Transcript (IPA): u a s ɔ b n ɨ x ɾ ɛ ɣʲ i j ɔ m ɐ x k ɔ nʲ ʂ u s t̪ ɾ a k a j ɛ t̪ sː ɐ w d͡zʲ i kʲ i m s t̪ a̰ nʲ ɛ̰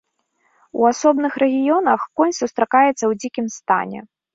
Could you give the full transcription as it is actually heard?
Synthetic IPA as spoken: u a s ɔ b n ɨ x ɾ ɛ ɣʲ i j ɔ n ɐ x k ɔ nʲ s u s t̪ ɾ a k a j ɛ t̪ sː ɐ w d͡zʲ i kʲ i m s t̪ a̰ nʲ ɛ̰